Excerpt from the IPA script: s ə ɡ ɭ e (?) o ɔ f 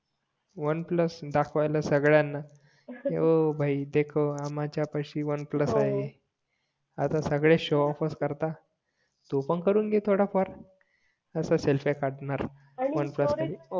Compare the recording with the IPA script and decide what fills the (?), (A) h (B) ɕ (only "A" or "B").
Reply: B